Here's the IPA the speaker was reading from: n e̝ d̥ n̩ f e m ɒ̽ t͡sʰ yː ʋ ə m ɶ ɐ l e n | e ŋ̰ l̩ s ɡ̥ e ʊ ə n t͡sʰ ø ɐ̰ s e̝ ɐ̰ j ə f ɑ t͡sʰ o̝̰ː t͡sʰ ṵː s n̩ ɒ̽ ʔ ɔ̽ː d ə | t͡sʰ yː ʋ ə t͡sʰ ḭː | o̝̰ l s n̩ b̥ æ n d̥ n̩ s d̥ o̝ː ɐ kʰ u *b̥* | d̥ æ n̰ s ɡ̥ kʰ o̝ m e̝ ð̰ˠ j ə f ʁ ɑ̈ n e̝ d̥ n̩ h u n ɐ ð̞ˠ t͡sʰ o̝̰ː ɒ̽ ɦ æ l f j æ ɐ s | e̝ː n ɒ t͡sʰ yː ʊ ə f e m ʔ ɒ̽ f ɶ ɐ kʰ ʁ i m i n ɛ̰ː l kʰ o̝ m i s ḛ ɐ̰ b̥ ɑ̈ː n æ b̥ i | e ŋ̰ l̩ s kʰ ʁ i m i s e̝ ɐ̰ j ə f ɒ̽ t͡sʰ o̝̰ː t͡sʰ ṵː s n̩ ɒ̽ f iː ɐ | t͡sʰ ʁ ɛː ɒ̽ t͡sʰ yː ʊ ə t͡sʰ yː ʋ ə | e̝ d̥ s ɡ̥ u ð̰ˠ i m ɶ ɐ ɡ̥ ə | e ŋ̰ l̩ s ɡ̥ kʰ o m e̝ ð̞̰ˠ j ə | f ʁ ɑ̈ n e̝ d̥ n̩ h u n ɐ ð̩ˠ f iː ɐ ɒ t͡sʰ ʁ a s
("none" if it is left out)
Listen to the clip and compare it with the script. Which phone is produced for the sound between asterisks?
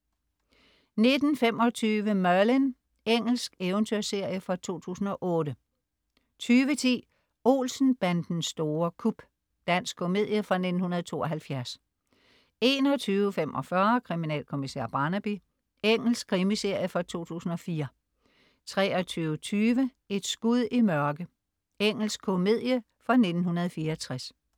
b̥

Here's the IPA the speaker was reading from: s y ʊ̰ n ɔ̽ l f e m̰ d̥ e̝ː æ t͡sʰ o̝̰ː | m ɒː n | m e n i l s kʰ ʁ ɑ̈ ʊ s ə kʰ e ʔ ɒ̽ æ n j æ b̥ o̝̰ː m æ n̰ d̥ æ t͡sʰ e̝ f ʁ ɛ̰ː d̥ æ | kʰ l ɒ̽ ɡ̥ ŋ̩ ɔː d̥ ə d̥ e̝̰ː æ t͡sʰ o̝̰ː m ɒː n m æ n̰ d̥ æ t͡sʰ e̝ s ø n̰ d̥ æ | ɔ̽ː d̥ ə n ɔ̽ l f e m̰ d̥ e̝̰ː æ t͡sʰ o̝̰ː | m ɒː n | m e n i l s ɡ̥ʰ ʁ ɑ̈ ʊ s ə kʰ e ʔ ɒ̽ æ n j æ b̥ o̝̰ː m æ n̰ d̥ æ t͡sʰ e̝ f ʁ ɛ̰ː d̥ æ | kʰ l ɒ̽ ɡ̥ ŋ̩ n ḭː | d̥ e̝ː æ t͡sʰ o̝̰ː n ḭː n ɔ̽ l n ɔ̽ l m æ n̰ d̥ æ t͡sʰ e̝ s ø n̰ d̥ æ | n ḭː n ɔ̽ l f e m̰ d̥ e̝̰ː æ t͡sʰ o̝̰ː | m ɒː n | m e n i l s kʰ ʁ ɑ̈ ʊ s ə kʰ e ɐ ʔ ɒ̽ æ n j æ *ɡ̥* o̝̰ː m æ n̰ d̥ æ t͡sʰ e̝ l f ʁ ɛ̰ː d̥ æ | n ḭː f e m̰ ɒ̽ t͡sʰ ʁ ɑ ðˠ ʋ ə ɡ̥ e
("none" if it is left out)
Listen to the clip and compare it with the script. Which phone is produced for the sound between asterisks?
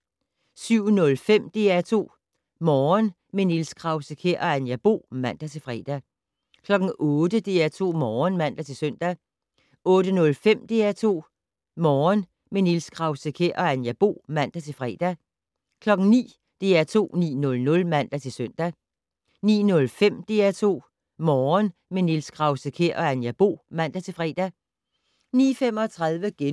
b̥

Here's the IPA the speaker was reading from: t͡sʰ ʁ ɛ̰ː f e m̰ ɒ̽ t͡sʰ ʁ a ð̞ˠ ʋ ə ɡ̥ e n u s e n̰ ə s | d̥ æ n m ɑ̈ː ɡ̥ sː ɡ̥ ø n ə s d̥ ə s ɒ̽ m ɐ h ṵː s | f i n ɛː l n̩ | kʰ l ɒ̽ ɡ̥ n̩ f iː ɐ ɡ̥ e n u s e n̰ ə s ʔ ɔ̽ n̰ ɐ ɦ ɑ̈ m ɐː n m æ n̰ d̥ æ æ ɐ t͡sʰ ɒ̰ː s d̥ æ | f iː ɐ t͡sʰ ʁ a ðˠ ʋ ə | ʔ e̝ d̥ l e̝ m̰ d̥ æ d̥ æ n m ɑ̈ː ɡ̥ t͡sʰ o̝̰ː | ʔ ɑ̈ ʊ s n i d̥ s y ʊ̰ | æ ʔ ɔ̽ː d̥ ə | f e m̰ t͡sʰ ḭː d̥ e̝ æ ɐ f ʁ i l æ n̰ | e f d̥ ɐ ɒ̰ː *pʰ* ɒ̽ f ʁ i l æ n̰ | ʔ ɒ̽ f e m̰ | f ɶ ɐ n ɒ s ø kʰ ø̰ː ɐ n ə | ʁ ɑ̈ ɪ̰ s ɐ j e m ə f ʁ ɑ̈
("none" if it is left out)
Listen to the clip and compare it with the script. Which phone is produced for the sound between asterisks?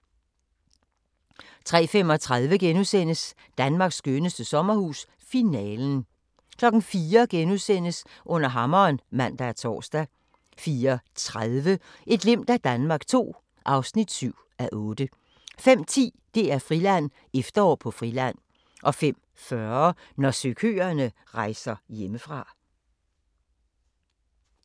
pʰ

